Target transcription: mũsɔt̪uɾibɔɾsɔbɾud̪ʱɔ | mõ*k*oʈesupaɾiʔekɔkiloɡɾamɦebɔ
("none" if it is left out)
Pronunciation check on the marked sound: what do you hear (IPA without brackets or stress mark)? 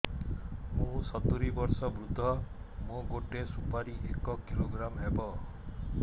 ɡ